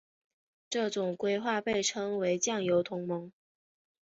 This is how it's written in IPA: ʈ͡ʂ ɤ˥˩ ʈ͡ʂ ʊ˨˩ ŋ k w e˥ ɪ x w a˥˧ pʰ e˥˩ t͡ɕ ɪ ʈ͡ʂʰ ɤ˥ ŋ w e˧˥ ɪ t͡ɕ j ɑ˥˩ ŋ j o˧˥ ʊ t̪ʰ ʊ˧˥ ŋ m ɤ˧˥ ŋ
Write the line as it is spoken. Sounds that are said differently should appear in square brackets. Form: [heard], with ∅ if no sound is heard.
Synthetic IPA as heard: ʈ͡ʂ ɤ˥˩ ʈ͡ʂ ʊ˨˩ ŋ k w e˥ ɪ x w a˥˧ [p] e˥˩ [∅] ɪ ʈ͡ʂʰ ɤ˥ ŋ w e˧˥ ɪ t͡ɕ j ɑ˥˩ ŋ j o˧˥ ʊ t̪ʰ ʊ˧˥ ŋ m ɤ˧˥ ŋ